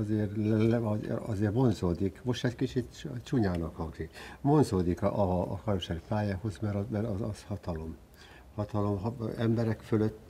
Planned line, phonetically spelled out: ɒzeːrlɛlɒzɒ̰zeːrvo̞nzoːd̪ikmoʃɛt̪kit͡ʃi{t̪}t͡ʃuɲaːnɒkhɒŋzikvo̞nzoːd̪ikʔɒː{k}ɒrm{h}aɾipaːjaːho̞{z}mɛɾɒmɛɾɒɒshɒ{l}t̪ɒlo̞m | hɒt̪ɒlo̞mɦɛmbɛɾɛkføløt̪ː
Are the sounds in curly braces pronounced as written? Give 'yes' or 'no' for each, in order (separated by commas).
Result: yes, yes, no, yes, no